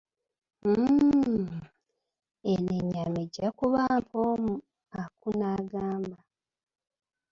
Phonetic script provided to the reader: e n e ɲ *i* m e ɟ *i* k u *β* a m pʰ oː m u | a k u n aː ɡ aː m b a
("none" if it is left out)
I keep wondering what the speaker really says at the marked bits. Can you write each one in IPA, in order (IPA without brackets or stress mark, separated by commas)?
a, a, β